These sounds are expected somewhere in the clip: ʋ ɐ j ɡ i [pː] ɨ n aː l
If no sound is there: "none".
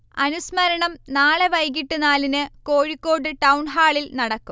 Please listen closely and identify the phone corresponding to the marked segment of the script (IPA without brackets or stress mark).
ʈː